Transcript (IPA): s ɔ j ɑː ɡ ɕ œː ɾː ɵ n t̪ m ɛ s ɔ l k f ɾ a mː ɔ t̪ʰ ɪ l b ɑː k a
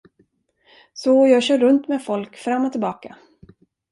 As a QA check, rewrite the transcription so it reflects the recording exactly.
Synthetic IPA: s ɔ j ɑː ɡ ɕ œː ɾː ɵ n t̪ m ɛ f ɔ l k f ɾ a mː ɔ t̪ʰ ɪ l b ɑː k a